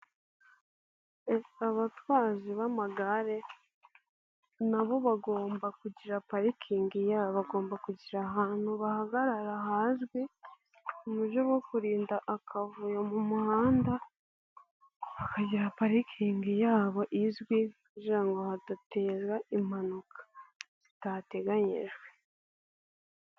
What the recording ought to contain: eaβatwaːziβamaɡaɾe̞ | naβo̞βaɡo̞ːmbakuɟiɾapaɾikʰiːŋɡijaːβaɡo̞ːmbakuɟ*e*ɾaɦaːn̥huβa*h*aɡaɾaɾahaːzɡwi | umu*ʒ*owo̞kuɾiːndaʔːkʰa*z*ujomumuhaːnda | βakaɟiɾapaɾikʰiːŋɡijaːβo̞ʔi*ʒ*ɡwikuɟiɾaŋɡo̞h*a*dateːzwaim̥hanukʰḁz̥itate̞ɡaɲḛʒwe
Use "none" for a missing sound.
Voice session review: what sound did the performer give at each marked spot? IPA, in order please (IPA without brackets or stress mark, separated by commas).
i, h, ʒ, v, z, a